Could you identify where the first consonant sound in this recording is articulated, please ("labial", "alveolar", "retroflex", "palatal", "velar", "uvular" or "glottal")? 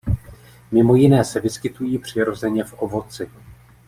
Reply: labial